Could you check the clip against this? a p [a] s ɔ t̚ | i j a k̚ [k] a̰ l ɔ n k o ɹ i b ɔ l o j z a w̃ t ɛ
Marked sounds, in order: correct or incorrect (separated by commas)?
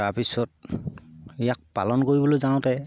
incorrect, incorrect